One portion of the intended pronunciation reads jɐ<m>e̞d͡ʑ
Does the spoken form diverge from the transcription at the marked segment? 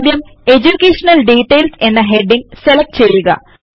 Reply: no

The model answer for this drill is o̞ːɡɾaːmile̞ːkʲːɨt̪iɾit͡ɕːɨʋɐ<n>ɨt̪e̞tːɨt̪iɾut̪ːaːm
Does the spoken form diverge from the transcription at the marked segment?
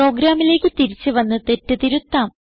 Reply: yes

